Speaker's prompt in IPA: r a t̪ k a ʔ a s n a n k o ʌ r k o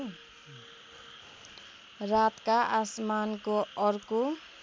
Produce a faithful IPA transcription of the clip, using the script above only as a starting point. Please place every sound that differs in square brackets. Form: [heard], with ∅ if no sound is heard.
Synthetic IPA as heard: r a t̪ k a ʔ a s [m] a n k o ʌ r k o